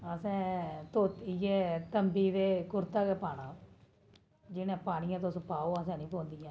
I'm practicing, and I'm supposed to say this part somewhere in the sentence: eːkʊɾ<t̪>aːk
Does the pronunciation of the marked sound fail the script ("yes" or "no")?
no